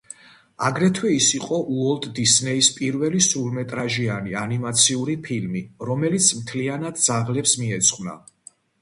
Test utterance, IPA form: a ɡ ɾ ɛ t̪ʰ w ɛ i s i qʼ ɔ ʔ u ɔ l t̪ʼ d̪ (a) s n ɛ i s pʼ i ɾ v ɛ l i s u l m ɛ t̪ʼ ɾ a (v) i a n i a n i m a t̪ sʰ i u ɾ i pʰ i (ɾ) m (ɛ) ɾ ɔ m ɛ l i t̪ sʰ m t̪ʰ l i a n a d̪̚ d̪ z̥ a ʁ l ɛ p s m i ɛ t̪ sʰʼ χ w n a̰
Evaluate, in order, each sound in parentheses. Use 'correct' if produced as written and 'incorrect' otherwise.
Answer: incorrect: i, incorrect: ʒ, incorrect: l, incorrect: i

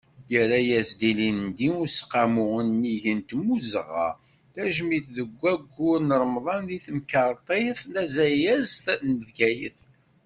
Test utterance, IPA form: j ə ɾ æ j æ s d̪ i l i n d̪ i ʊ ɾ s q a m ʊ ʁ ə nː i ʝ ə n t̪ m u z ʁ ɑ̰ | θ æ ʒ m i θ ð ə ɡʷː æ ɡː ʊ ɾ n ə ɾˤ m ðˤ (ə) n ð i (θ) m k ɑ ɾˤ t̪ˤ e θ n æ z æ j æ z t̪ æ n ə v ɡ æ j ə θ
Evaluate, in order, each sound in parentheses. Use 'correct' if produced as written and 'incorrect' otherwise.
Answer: incorrect: ɑ, correct

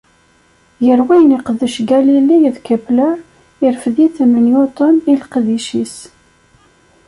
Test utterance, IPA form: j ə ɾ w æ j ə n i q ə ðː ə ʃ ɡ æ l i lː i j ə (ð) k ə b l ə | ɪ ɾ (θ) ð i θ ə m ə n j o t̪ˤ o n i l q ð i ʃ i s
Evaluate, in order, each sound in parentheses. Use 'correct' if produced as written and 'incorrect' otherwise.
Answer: correct, incorrect: f

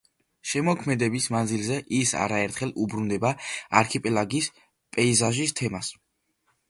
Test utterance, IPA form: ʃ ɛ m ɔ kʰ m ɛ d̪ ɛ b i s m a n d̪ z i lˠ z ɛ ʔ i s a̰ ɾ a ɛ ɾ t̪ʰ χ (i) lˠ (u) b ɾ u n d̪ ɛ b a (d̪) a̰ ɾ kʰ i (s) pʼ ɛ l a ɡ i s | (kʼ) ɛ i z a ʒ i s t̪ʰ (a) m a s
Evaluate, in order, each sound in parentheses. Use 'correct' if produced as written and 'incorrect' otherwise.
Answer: incorrect: ɛ, correct, incorrect: none, incorrect: none, incorrect: pʼ, incorrect: ɛ

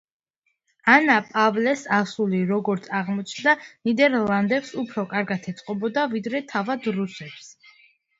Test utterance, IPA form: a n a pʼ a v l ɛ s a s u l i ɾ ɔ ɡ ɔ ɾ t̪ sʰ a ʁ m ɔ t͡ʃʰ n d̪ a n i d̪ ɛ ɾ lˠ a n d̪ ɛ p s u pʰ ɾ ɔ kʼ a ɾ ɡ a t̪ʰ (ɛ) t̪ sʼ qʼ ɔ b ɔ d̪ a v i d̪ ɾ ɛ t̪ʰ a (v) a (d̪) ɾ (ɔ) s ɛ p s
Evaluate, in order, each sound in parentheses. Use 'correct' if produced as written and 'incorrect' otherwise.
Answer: correct, correct, correct, incorrect: u

